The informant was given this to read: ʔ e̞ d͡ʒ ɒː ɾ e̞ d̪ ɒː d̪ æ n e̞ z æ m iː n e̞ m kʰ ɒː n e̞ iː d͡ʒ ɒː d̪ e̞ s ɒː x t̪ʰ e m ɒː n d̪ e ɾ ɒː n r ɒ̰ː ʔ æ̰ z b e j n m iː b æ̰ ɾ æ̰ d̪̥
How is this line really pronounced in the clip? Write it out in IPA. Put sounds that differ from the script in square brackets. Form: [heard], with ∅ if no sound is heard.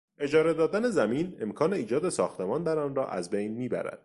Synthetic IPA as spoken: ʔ e̞ d͡ʒ ɒː ɾ e̞ d̪ ɒː d̪ æ n e̞ z æ m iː n e̞ m kʰ ɒː n e̞ iː d͡ʒ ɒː d̪ e̞ s ɒː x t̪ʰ e m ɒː n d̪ [æ] ɾ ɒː n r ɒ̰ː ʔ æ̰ z b e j n m iː b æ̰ ɾ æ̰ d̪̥